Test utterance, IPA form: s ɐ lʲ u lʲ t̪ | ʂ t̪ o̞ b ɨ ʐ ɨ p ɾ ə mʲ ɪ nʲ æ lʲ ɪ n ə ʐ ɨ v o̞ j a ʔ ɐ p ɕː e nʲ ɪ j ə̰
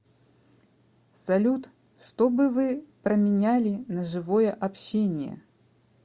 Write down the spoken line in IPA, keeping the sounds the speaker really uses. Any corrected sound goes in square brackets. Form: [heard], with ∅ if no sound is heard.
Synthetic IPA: s ɐ lʲ u [∅] t̪ | ʂ t̪ o̞ b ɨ [v] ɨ p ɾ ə mʲ ɪ nʲ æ lʲ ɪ n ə ʐ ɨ v o̞ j [ə] ʔ ɐ p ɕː e nʲ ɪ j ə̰